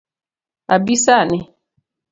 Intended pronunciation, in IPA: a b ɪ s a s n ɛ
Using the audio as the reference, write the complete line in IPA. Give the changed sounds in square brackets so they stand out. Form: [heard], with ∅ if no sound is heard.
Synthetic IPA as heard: a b [i] s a [∅] n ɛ